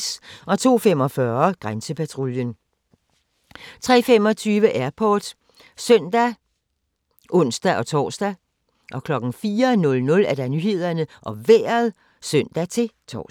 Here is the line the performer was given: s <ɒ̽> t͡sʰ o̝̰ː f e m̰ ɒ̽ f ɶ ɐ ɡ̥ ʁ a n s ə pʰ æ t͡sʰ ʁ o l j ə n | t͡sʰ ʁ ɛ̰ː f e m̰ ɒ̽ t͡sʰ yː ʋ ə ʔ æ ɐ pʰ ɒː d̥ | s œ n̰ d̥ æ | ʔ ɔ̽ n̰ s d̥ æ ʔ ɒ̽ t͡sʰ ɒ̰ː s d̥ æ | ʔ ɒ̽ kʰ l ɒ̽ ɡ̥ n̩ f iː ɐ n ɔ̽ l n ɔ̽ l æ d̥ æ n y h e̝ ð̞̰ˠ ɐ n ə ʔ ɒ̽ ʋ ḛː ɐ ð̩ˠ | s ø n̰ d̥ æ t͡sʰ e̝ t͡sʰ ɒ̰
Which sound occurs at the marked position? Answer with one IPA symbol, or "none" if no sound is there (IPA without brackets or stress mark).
ɒ̽